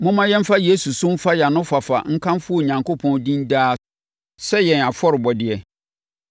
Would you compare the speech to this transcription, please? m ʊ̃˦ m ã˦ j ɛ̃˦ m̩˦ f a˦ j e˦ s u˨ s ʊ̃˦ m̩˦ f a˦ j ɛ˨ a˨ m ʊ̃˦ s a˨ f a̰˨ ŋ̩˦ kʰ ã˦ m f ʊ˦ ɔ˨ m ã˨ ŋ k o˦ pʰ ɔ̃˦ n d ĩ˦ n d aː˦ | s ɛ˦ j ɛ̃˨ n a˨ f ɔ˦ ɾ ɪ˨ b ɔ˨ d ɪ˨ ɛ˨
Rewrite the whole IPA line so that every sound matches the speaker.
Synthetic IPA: m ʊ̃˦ m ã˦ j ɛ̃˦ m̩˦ f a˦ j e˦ s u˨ s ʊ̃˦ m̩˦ f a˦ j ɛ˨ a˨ n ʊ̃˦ f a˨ f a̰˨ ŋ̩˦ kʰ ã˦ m f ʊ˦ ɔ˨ ɲ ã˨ ŋ k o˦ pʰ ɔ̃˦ n d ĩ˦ n d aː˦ | s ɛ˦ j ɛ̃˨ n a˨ f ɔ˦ ɾ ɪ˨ b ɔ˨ d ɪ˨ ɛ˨